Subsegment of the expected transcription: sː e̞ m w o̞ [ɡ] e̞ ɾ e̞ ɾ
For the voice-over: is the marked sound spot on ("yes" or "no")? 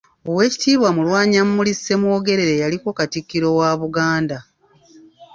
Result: yes